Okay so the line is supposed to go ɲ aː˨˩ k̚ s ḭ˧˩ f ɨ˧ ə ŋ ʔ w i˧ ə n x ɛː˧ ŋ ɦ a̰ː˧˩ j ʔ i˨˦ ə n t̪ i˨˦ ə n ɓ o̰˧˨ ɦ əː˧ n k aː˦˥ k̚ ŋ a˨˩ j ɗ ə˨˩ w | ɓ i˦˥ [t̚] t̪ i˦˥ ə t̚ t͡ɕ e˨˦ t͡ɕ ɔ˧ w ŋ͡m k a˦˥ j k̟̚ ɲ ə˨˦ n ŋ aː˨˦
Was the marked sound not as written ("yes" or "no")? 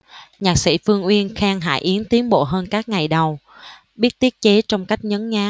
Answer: no